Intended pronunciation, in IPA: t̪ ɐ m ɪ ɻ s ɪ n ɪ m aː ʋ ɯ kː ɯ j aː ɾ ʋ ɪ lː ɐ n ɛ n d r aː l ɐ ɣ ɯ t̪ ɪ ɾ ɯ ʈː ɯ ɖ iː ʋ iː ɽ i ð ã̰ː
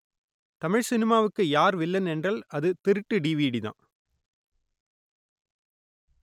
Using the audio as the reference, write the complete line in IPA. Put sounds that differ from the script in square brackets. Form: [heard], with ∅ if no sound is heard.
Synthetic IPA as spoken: t̪ ɐ m ɪ ɻ s ɪ n ɪ m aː ʋ ɯ kː ɯ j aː ɾ ʋ ɪ lː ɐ n ɛ n d r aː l ɐ [ð] ɯ t̪ ɪ ɾ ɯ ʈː ɯ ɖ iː ʋ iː ɽ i ð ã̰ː

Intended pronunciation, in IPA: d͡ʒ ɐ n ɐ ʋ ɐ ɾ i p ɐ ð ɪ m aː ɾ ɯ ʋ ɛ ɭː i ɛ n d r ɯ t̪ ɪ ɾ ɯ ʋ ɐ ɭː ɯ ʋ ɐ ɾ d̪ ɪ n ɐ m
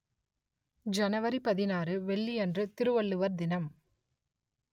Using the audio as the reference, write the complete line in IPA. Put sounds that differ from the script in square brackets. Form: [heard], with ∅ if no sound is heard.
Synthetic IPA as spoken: d͡ʒ ɐ n ɐ ʋ ɐ ɾ i p ɐ ð ɪ [n] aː ɾ ɯ ʋ ɛ ɭː i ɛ n d r ɯ t̪ ɪ ɾ ɯ ʋ ɐ ɭː ɯ ʋ ɐ ɾ d̪ ɪ n ɐ m

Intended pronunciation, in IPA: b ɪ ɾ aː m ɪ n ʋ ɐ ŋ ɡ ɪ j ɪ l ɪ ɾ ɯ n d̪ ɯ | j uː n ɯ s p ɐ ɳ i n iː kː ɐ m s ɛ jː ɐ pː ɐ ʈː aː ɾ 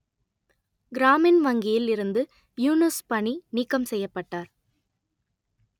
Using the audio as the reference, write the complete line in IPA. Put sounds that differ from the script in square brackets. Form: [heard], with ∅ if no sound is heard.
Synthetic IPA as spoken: [ɡ] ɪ ɾ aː m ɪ n ʋ ɐ ŋ ɡ ɪ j ɪ l ɪ ɾ ɯ n d̪ ɯ | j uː n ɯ s p ɐ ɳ i n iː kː ɐ m s ɛ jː ɐ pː ɐ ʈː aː ɾ

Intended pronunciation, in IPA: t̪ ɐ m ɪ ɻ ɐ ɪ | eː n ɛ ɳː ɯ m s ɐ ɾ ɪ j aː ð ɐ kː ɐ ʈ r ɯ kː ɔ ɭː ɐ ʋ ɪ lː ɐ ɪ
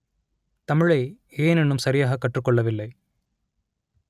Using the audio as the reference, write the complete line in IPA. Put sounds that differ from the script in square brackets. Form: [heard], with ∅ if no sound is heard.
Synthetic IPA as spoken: t̪ ɐ m ɪ ɻ ɐ ɪ | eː n ɛ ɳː ɯ m s ɐ ɾ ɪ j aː [ɣ] ɐ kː ɐ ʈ r ɯ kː ɔ ɭː ɐ ʋ ɪ lː ɐ ɪ

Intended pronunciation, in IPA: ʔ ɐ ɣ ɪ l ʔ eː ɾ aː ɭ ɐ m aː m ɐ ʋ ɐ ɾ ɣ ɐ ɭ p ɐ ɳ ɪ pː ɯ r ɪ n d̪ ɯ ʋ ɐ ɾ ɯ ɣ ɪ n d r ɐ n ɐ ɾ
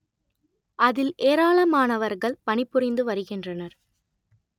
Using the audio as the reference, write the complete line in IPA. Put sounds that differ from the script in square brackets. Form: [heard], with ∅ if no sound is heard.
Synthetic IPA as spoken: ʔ ɐ [ð] ɪ l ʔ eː ɾ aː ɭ ɐ m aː [n] ɐ ʋ ɐ ɾ ɣ ɐ ɭ p ɐ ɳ ɪ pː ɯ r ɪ n d̪ ɯ ʋ ɐ ɾ ɯ ɣ ɪ n d r ɐ n ɐ ɾ

